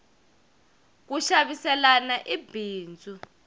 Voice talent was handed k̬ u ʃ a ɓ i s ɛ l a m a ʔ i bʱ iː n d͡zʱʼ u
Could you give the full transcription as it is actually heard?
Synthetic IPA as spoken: k̬ u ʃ a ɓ i s ɛ l a n a ʔ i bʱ iː n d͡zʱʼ u